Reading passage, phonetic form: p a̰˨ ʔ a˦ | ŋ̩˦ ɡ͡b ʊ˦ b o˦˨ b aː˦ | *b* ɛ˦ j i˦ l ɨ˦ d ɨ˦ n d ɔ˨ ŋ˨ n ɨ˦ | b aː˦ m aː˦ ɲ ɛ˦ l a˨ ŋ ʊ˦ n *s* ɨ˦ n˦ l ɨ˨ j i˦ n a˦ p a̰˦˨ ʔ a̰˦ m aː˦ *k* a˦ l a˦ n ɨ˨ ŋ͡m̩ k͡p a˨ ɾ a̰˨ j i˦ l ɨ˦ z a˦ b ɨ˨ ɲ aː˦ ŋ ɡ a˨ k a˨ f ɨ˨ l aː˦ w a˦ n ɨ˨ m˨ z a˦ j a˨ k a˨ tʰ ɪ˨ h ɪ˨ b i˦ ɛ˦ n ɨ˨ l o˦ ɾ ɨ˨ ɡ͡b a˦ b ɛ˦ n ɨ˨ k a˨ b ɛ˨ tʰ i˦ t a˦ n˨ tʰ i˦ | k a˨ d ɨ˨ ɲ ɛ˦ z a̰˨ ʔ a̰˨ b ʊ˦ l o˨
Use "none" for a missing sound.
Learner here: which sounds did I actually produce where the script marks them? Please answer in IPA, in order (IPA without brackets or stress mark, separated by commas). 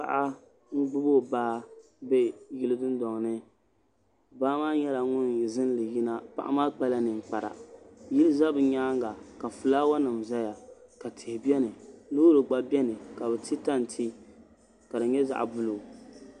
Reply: b, z, k͡p